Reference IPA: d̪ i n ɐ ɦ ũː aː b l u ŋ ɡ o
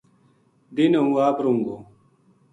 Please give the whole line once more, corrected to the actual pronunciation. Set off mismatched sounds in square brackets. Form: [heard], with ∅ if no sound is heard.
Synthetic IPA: d̪ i n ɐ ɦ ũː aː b [ɾ] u ŋ ɡ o